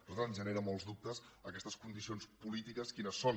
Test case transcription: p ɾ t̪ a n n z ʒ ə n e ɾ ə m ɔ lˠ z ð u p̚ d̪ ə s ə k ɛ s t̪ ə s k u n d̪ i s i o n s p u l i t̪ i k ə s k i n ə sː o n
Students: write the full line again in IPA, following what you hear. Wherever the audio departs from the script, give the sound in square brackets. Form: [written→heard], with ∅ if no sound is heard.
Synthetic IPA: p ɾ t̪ a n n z ʒ ə n e ɾ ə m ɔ lˠ z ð u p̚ [d̪→t̪] ə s ə k ɛ s t̪ ə s k u n d̪ i s i o n s p u l i t̪ i k ə s k i n ə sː o n